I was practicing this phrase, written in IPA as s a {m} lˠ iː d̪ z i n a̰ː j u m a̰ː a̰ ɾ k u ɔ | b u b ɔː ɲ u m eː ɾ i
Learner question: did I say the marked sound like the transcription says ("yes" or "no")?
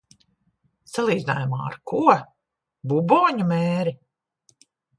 no